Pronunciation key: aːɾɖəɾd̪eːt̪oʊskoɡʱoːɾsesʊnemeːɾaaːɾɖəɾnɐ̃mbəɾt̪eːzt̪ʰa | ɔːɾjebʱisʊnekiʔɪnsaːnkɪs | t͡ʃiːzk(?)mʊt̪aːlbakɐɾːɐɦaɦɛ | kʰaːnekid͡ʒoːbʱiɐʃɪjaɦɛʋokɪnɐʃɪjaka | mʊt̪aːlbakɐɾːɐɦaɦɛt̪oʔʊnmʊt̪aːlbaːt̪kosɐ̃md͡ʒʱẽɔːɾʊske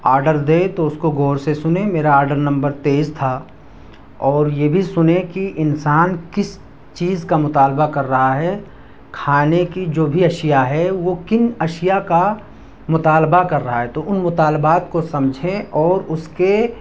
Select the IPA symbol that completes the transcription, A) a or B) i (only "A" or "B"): A